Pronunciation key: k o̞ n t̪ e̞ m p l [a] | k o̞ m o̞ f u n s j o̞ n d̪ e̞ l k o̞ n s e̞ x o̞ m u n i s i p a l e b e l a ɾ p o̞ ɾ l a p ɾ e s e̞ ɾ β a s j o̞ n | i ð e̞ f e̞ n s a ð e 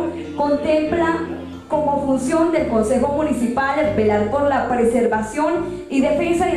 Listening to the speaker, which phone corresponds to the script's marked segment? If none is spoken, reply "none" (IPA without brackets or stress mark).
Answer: a